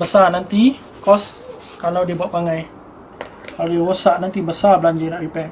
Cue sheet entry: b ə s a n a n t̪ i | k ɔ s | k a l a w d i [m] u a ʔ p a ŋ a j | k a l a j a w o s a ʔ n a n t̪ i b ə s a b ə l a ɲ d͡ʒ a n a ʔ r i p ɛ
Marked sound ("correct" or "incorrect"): incorrect